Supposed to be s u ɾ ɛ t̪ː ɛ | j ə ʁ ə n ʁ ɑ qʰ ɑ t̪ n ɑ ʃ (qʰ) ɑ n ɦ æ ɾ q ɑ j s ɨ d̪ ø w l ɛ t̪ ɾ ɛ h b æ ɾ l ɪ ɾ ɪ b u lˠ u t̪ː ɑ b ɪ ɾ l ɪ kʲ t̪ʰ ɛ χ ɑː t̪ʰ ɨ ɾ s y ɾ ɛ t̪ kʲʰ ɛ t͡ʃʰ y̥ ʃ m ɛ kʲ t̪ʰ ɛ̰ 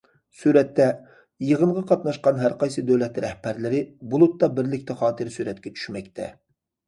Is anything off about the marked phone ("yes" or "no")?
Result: yes